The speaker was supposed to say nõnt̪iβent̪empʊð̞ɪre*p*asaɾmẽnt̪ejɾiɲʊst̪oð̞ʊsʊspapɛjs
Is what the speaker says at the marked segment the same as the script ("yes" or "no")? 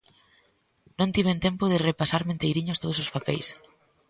yes